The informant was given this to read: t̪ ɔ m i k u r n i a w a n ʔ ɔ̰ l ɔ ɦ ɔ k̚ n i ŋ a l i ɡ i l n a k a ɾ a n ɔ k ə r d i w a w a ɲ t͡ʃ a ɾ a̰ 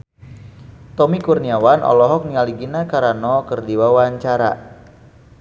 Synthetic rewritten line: t̪ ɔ m i k u r n i a w a n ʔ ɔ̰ l ɔ ɦ ɔ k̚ n i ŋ a l i ɡ i n a k a ɾ a n ɔ k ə r d i w a w a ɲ t͡ʃ a ɾ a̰